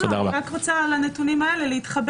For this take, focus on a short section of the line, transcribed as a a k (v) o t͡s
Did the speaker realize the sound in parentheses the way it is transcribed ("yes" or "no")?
no